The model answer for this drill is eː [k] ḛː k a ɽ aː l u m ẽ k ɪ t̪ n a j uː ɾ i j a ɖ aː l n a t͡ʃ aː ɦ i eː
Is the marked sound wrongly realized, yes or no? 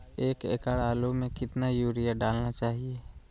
no